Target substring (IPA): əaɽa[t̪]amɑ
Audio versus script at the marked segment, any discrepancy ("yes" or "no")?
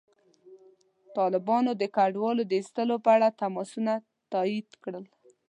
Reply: no